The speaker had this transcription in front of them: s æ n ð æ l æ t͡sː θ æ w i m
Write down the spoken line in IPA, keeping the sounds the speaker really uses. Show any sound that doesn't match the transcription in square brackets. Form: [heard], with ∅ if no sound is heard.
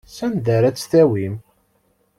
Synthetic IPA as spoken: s æ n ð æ [ɾ] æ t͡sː θ æ w i m